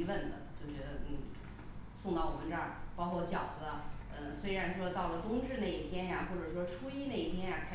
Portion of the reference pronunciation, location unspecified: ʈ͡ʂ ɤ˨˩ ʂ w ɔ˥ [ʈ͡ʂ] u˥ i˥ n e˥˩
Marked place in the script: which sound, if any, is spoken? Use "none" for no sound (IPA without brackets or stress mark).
ʈ͡ʂʰ